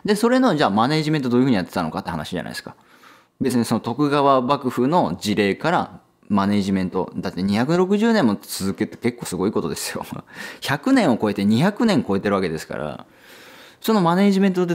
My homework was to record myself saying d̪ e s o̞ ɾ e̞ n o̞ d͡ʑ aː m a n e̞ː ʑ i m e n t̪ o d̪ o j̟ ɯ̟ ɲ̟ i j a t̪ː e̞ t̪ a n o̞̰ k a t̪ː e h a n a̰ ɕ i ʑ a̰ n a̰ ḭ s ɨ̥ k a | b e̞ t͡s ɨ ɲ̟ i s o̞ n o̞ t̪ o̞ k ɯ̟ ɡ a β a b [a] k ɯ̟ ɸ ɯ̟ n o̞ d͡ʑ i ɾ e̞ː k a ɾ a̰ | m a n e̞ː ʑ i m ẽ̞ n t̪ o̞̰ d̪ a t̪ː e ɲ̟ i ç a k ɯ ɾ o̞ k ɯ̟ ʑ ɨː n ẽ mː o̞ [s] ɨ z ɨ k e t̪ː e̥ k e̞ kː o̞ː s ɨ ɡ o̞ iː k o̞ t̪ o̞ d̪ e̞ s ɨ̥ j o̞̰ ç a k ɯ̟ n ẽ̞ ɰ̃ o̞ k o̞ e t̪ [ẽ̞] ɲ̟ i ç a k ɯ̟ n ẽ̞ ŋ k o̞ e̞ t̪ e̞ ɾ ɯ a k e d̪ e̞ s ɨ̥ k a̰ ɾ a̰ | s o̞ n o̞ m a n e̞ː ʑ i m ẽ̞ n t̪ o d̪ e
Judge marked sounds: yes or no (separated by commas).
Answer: yes, no, no